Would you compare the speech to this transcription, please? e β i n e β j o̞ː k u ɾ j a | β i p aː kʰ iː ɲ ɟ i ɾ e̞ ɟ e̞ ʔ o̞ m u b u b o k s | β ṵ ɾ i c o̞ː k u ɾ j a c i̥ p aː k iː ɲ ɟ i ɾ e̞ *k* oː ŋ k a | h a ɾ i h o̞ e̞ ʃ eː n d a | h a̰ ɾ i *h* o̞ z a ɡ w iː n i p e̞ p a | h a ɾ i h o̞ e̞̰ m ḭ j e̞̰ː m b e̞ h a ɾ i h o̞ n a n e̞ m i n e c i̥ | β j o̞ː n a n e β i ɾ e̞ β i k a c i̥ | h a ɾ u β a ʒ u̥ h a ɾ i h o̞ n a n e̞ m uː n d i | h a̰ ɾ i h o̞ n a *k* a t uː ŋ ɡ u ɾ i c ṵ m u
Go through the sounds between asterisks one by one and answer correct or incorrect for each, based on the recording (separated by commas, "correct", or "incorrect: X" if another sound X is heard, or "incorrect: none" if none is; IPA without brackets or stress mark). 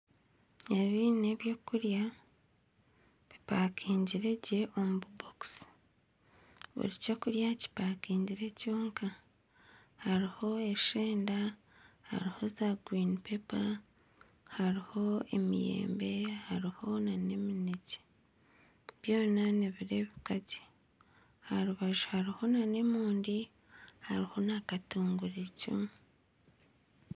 incorrect: c, correct, correct